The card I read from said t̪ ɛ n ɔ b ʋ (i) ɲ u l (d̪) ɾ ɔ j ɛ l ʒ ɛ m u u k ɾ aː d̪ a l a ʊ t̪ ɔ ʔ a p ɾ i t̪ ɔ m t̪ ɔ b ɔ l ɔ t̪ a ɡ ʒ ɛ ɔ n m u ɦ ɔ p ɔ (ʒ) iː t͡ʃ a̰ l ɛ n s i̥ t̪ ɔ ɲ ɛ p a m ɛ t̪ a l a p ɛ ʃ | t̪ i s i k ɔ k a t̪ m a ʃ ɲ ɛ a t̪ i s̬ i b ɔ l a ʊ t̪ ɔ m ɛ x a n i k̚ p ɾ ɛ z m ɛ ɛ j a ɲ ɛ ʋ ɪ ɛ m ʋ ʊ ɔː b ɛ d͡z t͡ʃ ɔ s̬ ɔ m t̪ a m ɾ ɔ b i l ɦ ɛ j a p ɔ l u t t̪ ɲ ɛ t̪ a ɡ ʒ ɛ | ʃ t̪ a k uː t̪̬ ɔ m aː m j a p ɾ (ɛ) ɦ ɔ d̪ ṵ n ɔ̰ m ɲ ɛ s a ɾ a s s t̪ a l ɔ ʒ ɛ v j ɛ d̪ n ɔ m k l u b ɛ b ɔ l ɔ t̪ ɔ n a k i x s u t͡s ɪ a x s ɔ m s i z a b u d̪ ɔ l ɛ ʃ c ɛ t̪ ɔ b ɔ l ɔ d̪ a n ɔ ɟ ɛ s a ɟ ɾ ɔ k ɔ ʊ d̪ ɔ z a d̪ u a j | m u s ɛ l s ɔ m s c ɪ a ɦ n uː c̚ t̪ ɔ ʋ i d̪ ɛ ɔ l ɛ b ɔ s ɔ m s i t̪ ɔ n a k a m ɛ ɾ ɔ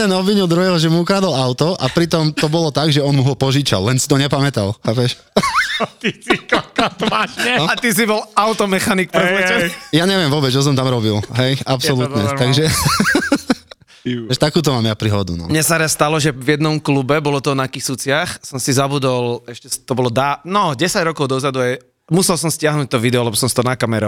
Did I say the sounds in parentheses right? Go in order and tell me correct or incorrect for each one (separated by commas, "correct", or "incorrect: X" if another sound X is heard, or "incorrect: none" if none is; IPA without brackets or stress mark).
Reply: correct, correct, correct, incorrect: i